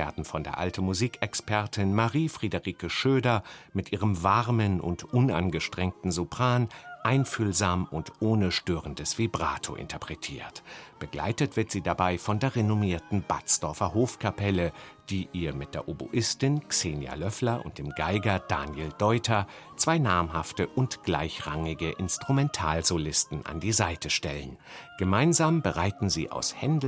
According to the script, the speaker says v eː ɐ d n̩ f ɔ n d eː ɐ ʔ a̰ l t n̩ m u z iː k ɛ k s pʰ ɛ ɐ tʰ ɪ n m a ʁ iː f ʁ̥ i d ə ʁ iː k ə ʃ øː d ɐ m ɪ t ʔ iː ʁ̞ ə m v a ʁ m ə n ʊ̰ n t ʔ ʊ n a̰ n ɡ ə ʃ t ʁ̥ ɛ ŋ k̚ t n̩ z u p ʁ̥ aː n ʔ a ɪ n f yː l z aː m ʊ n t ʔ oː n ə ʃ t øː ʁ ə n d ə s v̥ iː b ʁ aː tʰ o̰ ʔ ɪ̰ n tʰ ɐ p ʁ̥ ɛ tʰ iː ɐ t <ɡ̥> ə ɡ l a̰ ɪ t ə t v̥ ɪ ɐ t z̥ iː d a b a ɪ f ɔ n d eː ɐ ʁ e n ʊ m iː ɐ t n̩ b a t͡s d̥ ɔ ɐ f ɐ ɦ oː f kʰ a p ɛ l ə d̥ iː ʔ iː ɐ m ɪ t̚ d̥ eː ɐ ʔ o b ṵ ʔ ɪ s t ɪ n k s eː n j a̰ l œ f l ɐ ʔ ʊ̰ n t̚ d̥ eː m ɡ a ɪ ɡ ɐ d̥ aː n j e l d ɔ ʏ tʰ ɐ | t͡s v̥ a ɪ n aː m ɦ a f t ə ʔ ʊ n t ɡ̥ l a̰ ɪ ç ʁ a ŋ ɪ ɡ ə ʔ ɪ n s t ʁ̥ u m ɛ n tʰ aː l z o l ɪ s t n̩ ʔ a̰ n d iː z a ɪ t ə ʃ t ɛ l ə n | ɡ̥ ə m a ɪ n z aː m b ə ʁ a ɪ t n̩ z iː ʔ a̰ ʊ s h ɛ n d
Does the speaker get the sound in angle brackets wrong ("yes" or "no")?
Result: yes